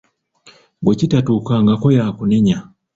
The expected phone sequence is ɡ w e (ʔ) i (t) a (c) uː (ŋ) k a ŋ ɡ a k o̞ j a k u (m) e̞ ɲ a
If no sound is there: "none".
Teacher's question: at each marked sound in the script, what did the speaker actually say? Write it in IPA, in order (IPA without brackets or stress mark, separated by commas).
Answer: c, t, t, none, n